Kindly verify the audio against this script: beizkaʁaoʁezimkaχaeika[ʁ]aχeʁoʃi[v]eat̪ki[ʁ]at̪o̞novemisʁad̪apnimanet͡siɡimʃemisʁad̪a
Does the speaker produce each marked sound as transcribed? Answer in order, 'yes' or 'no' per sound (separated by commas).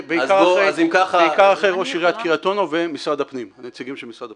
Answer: yes, no, yes